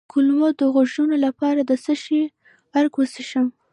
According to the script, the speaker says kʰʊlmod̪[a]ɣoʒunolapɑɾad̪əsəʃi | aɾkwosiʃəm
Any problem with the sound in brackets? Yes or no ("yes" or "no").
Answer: yes